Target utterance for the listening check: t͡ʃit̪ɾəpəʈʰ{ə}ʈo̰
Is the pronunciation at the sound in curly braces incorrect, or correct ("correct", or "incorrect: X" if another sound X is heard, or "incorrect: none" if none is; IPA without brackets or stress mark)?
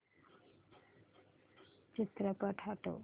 incorrect: a